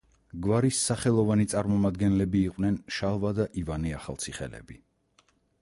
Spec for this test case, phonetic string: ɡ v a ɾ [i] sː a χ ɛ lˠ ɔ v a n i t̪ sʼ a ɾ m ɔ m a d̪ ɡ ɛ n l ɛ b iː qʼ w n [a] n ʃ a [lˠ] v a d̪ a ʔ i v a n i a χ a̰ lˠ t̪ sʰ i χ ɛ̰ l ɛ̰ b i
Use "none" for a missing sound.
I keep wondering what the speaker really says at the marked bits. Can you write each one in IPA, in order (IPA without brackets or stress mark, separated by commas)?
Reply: i, ɛ, lˠ